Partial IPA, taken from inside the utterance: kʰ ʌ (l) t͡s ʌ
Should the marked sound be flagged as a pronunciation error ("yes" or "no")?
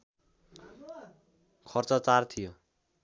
yes